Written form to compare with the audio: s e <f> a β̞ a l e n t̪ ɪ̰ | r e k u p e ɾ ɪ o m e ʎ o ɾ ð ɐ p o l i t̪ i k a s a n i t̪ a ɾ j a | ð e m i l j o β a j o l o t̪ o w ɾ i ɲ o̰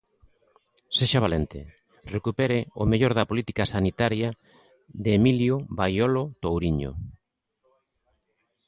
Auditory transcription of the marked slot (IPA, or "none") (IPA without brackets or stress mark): ʃ